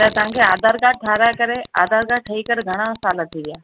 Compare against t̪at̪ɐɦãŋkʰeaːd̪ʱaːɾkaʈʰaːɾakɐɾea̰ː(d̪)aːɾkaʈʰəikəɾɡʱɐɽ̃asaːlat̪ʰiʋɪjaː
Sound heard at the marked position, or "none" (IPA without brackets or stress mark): d̪